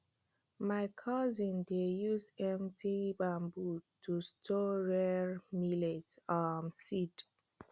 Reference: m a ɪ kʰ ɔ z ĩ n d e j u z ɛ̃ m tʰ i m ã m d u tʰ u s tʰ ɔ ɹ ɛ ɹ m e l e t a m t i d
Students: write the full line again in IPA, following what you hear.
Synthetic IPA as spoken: m a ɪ kʰ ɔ z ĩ n d e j u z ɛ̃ m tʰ i b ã m b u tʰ u s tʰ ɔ ɹ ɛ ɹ m i l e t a m s i d